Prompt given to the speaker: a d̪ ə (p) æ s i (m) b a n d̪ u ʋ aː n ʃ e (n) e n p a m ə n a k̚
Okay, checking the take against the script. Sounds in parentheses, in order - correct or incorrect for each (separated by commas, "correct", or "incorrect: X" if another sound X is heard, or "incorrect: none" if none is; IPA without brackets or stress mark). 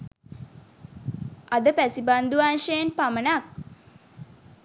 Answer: correct, incorrect: none, incorrect: none